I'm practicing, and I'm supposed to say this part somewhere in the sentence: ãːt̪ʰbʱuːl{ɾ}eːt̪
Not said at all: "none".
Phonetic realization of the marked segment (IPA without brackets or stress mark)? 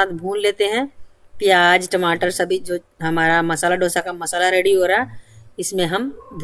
l